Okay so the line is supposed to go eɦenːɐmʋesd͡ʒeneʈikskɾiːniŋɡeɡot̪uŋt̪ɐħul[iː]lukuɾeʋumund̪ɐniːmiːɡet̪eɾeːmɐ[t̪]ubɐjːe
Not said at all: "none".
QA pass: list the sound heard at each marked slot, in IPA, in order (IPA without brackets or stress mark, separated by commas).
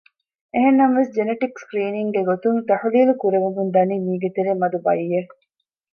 iː, d̪